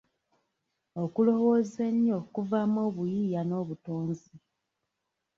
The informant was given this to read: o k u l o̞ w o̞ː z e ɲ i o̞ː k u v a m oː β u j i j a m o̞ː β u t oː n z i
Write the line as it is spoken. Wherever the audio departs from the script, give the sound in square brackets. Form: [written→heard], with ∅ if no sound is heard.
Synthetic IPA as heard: o k u l o̞ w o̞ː z e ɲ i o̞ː k u v a m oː β u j i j a [m→n] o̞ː β u t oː n z i